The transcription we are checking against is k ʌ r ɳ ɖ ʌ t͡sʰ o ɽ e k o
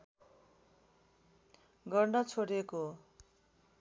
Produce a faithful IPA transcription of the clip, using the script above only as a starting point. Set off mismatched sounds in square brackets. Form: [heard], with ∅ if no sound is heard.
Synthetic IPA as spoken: [ɡ] ʌ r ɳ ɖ ʌ t͡sʰ o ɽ e k o